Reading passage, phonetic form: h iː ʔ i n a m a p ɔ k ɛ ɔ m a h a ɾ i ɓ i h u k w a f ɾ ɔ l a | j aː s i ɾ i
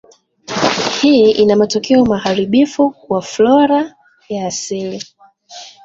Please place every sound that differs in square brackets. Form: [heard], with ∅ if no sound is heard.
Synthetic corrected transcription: h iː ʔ i n a m a [t] ɔ k ɛ ɔ m a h a ɾ i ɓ i [f] u k w a f [l] ɔ [ɾ] a | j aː s i [l] i